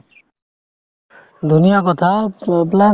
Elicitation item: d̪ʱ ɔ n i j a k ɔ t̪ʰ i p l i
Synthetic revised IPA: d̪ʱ u n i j a k ɔ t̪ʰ a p l a